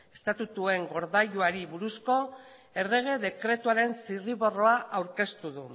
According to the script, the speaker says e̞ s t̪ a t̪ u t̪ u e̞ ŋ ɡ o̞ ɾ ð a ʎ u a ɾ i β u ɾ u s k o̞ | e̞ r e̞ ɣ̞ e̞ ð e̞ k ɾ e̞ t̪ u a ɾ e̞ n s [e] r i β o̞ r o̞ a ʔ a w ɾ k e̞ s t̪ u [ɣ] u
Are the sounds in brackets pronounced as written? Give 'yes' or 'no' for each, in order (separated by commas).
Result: no, no